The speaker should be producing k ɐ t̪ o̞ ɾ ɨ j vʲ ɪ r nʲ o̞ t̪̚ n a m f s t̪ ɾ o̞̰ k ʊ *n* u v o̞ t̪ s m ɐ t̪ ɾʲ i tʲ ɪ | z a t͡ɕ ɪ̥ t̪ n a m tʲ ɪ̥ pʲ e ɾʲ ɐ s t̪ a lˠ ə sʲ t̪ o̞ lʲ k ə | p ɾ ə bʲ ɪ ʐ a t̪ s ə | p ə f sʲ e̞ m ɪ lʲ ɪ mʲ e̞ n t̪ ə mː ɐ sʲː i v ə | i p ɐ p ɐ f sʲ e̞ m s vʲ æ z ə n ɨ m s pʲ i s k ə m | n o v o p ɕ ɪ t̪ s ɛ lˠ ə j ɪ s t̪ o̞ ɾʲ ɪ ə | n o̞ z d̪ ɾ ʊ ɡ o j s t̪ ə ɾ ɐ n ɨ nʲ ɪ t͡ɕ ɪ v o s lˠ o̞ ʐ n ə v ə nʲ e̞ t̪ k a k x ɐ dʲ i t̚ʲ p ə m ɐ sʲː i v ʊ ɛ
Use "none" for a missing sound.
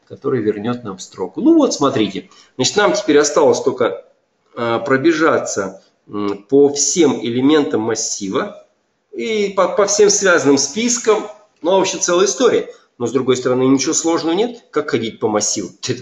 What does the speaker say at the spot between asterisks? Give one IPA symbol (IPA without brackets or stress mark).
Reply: n